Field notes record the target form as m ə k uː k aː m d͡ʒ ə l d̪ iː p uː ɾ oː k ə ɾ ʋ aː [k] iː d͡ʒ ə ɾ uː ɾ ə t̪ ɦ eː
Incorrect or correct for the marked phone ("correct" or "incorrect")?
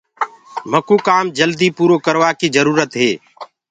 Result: correct